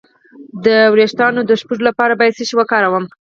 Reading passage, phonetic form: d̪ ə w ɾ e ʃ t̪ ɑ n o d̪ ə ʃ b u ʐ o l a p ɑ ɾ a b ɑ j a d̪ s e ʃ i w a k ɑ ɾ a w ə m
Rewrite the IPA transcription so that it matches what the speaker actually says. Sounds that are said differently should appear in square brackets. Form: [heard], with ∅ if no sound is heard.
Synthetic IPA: d̪ ə w ɾ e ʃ t̪ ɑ n o d̪ ə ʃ [p] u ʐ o l a p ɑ ɾ a b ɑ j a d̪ s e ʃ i w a k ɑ ɾ a w ə m